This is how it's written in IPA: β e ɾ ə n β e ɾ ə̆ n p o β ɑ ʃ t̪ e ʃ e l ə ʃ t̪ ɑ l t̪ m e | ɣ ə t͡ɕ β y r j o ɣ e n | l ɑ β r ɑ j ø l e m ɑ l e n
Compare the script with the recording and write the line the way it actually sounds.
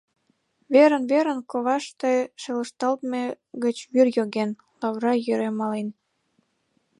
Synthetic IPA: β e ɾ ə n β e ɾ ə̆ n k o β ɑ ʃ t̪ e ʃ e l ə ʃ t̪ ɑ l t̪ m e | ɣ ə t͡ɕ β y r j o ɣ e n | l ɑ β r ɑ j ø ɾ e m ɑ l e n